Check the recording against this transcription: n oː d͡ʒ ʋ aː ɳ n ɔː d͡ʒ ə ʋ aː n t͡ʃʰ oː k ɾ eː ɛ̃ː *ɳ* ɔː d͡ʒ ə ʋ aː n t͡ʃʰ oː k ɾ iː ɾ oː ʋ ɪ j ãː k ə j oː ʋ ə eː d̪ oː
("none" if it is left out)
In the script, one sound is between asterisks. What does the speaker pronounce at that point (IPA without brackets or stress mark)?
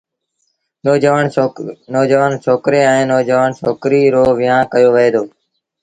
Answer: n